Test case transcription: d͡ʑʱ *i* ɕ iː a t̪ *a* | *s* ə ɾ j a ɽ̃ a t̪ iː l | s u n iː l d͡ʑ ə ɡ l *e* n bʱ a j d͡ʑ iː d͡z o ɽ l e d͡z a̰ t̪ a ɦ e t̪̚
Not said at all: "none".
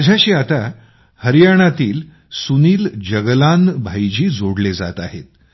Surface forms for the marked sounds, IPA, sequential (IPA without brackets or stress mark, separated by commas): a, a, h, a